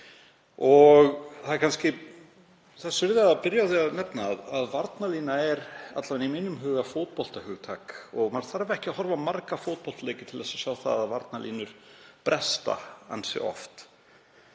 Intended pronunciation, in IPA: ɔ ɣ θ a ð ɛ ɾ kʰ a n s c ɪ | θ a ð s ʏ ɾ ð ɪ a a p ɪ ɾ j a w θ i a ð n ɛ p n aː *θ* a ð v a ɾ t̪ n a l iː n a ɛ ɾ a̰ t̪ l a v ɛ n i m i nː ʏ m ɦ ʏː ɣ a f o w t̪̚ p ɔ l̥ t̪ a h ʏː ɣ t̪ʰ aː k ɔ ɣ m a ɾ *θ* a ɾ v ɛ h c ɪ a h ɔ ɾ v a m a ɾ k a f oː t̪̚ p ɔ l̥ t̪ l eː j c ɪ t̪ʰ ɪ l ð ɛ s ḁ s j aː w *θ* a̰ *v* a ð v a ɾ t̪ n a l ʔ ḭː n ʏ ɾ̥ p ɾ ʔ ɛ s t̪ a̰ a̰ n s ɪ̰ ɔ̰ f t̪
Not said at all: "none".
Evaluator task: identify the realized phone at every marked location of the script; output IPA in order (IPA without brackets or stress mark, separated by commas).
ð, θ, θ, ð